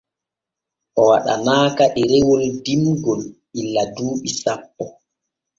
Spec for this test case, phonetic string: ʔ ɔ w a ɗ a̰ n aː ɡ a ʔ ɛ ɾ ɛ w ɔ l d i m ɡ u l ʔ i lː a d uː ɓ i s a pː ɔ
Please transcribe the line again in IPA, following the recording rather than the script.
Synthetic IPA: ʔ ɔ w a ɗ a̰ n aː k a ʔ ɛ ɾ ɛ w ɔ l d i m ɡ ɔ l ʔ i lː a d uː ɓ i s a pː ɔ